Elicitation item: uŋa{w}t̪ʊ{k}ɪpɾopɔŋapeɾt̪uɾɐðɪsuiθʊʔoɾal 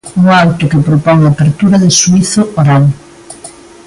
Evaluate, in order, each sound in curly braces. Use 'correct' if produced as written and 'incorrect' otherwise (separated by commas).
correct, correct